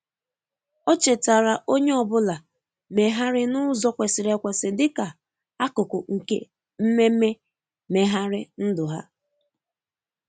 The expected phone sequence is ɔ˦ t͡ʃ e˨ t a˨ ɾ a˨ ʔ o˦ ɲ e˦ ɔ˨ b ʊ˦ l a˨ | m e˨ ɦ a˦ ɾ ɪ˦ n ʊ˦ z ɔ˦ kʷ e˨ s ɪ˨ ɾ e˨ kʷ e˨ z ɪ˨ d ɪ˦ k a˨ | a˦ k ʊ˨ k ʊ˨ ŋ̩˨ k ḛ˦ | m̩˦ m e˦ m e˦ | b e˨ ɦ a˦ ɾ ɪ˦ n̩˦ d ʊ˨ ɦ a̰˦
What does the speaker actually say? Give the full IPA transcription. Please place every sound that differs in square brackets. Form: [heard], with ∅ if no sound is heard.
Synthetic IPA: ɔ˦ t͡ʃ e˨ t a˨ ɾ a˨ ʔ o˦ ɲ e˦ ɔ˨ b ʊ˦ l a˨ | m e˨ ɦ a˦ ɾ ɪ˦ n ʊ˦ z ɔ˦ kʷ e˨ s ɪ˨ ɾ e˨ kʷ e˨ [s] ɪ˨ d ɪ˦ k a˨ | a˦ k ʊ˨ k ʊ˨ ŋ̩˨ k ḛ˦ | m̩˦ m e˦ m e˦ | [m] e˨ ɦ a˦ ɾ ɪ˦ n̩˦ d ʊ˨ ɦ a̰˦